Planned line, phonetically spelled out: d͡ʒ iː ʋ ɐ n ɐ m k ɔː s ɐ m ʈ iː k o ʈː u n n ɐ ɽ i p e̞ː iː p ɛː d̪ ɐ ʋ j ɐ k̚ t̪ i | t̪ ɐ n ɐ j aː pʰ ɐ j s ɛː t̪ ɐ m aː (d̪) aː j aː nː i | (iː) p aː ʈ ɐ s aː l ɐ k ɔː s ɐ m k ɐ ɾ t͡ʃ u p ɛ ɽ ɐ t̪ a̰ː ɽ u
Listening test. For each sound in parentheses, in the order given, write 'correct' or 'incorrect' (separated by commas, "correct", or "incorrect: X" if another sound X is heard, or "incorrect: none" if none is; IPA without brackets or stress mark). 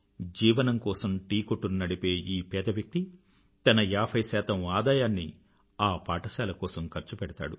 correct, incorrect: aː